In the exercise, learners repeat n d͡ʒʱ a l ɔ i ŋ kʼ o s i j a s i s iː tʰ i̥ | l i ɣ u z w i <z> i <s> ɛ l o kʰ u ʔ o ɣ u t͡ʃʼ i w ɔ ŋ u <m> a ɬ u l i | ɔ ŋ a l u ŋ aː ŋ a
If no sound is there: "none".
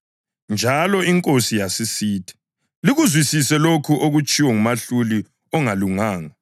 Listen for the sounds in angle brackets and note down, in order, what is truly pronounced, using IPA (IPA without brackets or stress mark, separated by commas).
s, s, m